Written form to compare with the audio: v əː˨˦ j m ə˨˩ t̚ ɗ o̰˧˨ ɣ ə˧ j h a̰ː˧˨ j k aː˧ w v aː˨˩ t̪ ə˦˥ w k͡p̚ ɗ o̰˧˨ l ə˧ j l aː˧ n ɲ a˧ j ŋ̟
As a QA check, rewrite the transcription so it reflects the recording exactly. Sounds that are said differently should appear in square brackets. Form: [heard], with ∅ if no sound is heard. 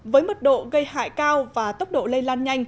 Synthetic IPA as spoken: v əː˨˦ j m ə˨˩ t̚ ɗ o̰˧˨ ɣ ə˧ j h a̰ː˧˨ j k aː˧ w v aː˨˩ t̪ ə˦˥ w k͡p̚ ɗ o̰˧˨ l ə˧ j l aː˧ n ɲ a˧ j ŋ̟